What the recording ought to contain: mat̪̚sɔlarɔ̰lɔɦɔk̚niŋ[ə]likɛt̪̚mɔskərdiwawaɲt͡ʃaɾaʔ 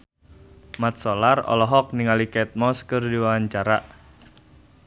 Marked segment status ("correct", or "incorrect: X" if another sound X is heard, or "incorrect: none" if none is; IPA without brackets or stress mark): incorrect: a